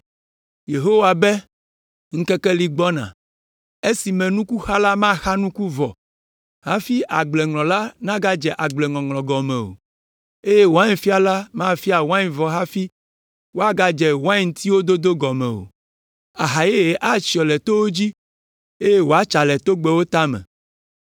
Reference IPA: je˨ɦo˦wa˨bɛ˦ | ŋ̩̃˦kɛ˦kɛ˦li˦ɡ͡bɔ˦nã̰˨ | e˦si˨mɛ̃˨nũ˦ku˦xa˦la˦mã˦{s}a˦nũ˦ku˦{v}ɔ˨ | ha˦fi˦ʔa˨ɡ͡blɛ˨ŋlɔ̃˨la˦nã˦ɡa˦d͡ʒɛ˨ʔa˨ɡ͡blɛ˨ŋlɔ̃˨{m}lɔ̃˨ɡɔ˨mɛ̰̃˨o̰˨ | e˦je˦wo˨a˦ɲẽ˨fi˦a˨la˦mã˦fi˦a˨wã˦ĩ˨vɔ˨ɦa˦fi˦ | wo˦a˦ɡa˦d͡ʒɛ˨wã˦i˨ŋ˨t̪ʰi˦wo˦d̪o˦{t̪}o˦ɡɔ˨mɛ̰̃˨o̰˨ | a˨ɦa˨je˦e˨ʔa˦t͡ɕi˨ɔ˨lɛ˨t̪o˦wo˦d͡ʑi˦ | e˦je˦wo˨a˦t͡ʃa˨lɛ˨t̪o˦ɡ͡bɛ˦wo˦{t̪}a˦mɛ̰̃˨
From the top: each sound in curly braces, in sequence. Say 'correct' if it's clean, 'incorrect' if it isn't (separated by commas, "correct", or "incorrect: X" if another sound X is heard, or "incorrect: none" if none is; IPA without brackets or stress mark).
incorrect: x, correct, incorrect: ŋ, incorrect: d̪, correct